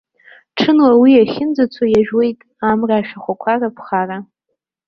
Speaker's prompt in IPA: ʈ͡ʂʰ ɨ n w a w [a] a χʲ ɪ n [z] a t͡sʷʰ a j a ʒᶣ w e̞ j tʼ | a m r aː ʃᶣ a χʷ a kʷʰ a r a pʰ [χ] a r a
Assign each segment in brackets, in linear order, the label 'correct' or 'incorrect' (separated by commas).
incorrect, incorrect, correct